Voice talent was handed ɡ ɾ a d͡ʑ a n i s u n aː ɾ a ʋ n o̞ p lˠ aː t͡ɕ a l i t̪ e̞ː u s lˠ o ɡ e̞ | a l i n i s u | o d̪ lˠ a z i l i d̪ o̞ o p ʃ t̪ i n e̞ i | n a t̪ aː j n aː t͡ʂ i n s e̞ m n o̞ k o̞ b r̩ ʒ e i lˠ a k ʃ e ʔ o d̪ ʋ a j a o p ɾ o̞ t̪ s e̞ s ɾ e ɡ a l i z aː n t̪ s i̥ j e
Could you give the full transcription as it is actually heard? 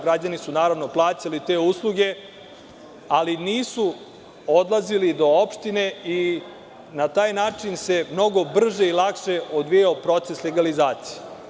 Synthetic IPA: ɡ ɾ a d͡ʑ a n i s u n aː ɾ a ʋ n o̞ p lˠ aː t͡ɕ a l i t̪ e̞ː u s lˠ u ɡ e̞ | a l i n iː s u | o d̪ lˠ a z i l i d̪ o̞ o p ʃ t̪ i n e̞ i | n a t̪ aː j n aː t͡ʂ i n s e̞ m n o̞ ɡ o̞ b r̩ ʒ e i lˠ a k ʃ e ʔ o d̪ ʋ i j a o p ɾ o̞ t̪ s e̞ s l e ɡ a l i z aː t̪ s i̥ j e